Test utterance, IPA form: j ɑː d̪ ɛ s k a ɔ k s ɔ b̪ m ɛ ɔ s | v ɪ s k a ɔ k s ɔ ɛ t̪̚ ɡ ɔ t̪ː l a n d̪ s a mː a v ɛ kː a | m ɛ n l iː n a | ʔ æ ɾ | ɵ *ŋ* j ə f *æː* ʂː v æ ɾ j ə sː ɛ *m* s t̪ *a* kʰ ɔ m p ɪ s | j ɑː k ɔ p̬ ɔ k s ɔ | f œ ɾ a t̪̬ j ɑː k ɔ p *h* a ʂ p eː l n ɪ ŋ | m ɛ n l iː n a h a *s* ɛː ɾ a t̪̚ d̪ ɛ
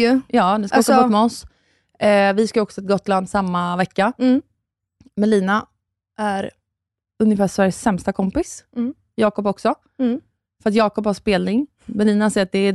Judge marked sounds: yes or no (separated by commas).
no, yes, yes, yes, yes, yes